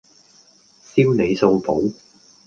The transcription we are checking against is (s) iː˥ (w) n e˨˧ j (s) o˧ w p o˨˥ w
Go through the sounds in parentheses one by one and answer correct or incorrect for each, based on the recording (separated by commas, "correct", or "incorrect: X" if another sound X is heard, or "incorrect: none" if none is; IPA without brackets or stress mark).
correct, correct, correct